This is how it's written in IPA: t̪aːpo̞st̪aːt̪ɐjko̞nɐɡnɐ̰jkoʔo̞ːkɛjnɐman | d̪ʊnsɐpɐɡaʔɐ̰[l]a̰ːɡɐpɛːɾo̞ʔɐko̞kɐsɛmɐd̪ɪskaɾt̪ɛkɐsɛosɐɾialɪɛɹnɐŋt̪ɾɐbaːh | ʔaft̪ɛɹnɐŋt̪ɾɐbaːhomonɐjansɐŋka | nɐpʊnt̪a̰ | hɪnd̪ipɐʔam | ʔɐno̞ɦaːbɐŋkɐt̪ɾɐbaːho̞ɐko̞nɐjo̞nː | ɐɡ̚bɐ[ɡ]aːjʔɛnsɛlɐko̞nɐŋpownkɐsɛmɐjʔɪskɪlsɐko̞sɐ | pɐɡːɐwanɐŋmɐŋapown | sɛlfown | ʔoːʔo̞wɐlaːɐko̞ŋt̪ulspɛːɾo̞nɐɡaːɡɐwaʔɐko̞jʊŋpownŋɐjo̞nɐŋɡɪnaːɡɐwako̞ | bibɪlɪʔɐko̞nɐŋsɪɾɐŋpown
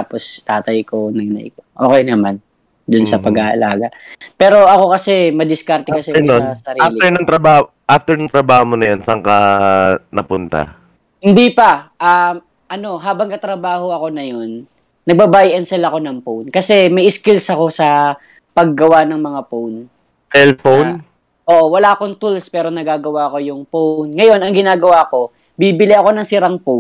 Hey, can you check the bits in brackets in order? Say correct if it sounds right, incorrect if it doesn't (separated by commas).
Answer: correct, incorrect